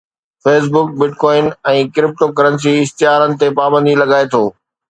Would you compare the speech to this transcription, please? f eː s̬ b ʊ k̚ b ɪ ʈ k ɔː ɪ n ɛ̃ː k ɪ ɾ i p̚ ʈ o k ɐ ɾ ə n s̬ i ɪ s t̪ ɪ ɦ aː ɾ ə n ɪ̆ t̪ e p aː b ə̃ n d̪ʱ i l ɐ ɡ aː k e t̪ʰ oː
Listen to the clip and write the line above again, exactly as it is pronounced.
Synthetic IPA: f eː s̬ b ʊ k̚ b ɪ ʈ k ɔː ɪ n ɛ̃ː k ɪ ɾ ɪ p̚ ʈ o k ɐ ɾ ə n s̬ i ɪ s t̪ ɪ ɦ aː ɾ ə n ɪ̆ t̪ e p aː b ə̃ n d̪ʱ i l ɐ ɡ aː e t̪ʰ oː